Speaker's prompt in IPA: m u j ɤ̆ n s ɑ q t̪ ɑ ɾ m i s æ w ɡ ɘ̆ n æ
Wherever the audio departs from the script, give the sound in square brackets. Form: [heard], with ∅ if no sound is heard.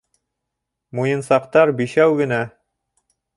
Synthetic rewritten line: m u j ɤ̆ n s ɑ q t̪ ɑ ɾ [b] i [ʃ] æ w ɡ ɘ̆ n æ